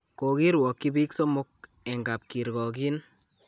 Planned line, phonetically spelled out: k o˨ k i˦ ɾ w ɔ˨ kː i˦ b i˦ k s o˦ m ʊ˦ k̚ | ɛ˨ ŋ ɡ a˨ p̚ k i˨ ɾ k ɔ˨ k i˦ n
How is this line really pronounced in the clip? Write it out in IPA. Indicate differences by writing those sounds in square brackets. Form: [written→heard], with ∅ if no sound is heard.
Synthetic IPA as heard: k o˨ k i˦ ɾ w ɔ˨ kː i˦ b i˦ k s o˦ m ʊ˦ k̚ | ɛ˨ ŋ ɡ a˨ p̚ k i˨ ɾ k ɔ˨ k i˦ n